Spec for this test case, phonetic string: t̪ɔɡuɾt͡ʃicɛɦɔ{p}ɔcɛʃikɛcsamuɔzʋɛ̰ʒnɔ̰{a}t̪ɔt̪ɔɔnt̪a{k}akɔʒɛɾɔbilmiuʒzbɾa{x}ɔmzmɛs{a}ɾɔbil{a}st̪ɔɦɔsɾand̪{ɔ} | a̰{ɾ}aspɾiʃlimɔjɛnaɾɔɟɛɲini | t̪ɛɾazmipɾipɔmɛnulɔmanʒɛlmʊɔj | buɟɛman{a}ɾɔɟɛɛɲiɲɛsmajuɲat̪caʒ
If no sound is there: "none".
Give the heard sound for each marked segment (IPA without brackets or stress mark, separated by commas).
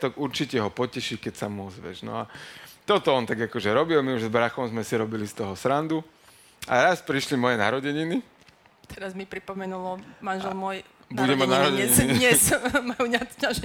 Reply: p, a, ɡ, x, i, i, u, ɾ, a